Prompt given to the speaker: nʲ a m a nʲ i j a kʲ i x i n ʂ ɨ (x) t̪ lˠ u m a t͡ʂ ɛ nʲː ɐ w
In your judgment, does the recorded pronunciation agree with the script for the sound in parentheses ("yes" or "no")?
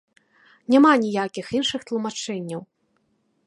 yes